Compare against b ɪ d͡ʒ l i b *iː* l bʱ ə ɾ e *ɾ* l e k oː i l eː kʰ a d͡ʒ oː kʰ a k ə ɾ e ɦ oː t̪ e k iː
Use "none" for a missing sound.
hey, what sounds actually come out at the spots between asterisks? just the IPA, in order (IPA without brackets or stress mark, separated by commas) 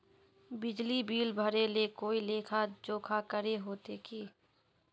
iː, none